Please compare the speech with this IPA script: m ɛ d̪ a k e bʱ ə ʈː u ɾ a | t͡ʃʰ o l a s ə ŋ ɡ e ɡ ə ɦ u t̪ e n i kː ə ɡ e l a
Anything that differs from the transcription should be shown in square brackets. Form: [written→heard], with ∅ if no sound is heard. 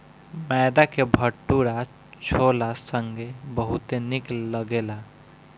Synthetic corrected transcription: m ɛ d̪ a k e bʱ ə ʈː u ɾ a | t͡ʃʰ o l a s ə ŋ ɡ e [ɡ→b] ə ɦ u t̪ e n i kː ə ɡ e l a